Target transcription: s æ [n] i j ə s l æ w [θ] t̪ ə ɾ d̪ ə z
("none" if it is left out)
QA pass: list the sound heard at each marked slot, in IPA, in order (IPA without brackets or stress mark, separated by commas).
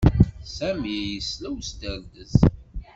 m, s